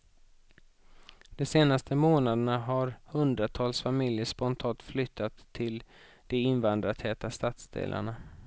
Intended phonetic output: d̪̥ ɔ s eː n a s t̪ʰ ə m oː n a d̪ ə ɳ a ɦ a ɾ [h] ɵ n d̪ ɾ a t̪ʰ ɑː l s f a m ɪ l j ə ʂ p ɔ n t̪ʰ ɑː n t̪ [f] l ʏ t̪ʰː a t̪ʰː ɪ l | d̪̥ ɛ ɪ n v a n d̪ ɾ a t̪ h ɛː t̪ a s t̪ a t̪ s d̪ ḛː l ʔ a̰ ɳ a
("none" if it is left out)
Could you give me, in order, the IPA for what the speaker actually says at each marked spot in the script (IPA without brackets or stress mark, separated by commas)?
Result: h, f